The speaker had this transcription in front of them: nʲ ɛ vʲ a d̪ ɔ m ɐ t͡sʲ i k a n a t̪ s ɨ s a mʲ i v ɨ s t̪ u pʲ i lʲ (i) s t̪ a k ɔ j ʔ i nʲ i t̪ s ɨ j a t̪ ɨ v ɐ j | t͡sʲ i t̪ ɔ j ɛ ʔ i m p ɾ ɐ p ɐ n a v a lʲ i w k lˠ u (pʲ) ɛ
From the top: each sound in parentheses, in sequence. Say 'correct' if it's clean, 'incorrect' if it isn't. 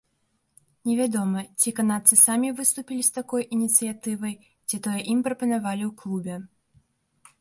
correct, incorrect

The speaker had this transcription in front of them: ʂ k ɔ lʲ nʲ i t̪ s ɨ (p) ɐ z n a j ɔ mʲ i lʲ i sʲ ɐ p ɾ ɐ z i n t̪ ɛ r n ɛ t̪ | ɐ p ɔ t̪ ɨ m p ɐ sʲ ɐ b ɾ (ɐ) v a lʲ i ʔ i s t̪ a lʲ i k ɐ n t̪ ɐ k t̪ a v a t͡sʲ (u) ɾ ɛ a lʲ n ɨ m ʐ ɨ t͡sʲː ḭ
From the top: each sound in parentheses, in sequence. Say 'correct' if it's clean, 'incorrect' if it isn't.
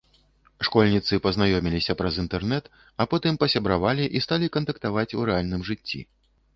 correct, incorrect, correct

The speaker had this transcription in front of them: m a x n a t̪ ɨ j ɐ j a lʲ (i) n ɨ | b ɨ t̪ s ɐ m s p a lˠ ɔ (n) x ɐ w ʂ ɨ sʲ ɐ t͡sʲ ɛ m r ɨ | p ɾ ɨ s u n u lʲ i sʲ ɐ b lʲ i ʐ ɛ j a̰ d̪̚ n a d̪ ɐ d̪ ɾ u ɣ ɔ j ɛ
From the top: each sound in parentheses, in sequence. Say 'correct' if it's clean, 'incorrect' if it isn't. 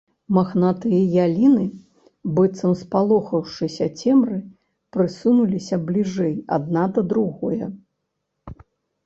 correct, incorrect

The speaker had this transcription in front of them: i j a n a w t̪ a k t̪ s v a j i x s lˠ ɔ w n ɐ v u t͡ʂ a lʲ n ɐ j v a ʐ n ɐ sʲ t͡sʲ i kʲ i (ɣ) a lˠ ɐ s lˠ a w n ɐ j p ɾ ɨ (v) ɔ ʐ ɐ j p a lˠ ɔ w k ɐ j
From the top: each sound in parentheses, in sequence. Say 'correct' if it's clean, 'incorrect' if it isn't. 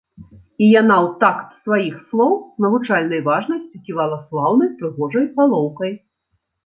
incorrect, incorrect

